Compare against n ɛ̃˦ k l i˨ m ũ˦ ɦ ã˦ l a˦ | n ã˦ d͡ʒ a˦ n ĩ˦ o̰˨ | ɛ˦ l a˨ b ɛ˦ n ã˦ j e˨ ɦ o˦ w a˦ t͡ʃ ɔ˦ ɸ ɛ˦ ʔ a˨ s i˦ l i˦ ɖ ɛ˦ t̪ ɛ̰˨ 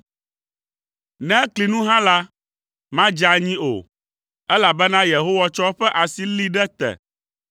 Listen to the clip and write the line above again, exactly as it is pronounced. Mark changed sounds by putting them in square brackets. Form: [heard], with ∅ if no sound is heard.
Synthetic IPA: n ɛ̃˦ k l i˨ [n] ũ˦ ɦ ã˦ l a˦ | [m] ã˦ d͡ʒ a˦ [ɲ] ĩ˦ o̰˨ | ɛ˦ l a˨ b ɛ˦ n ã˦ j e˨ ɦ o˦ w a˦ t͡ʃ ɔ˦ ɸ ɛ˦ ʔ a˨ s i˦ l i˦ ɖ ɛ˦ t̪ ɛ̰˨